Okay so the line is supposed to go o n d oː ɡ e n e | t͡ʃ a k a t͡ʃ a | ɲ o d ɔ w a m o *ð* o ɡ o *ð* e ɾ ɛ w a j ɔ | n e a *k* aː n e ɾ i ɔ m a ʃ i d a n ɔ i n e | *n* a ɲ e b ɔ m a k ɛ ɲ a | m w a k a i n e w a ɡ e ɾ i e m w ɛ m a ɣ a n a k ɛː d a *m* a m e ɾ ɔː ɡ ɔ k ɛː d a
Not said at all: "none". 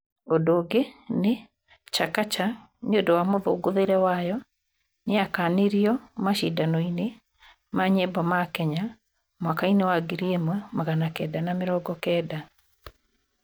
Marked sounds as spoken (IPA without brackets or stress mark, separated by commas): ð, ð, k, m, n